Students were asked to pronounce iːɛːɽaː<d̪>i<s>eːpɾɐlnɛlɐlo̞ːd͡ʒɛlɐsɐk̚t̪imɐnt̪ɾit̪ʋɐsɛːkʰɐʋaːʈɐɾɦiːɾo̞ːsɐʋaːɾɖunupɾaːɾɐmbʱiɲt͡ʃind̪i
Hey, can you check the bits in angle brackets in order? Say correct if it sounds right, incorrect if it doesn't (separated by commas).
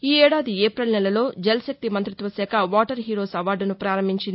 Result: correct, incorrect